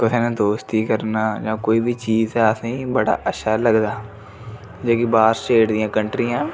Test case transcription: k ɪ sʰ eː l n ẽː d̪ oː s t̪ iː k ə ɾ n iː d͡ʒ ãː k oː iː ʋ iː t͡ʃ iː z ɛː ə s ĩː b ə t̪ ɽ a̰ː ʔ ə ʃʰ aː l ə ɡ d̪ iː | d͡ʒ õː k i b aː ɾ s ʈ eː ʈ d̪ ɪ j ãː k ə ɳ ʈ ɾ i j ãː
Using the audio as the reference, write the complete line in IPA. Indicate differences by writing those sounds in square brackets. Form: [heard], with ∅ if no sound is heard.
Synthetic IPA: k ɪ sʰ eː [∅] n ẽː d̪ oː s t̪ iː k ə ɾ n [aː] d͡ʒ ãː k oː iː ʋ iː t͡ʃ iː z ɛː ə s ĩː b ə [∅] ɽ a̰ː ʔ ə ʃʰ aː l ə ɡ d̪ [aː] | d͡ʒ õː k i b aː ɾ s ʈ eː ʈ d̪ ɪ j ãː k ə ɳ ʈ ɾ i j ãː